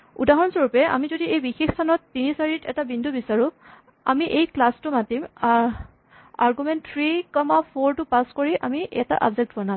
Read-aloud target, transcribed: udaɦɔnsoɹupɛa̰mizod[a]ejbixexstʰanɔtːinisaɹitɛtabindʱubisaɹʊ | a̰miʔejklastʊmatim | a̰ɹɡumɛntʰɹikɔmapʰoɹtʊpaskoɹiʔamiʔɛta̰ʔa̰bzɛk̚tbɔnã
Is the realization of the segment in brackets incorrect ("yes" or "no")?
yes